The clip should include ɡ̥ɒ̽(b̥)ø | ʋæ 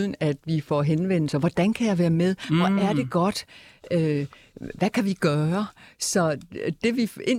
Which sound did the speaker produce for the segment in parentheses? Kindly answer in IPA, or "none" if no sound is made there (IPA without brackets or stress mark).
d̥